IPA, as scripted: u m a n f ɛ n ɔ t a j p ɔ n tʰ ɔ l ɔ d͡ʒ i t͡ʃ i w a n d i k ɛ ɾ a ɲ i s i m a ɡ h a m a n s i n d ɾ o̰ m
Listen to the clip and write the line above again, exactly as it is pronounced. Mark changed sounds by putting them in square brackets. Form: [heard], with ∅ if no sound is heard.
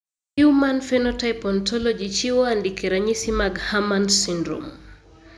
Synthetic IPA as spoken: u m a n f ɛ n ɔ t a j p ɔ n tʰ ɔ l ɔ d͡ʒ i t͡ʃ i w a n d i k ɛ ɾ a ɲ i s i m a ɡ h a m a n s i n d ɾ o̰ m